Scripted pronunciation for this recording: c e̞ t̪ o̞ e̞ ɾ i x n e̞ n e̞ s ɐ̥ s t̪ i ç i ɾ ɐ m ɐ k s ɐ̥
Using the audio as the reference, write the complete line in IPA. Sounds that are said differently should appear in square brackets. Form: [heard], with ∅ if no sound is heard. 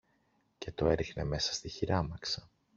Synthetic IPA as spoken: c e̞ t̪ o̞ e̞ ɾ i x n e̞ [m] e̞ s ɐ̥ s t̪ i ç i ɾ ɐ m ɐ k s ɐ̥